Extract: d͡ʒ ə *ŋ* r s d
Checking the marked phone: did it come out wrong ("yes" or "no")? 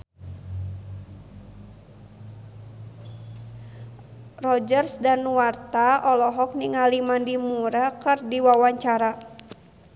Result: yes